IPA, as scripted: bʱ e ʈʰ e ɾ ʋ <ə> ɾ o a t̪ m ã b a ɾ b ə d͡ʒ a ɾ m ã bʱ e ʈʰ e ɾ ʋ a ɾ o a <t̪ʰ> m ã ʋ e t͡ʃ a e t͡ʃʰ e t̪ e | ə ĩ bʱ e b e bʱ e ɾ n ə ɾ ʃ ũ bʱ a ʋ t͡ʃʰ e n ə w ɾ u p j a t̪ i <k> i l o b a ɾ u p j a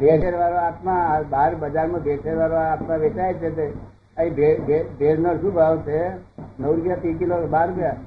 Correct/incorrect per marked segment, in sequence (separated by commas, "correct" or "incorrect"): incorrect, incorrect, correct